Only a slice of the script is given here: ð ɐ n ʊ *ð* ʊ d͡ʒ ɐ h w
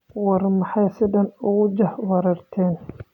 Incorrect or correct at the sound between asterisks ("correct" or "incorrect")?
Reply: incorrect